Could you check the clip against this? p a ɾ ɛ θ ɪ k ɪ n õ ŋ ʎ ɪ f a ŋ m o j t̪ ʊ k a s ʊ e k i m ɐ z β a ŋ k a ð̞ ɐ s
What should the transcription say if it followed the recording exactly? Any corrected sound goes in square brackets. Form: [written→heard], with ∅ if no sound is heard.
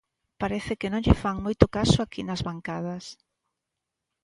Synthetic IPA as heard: p a ɾ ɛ θ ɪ k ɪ n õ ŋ ʎ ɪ f a ŋ m o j t̪ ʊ k a s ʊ [e→a] k i [m→n] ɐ z β a ŋ k a ð̞ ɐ s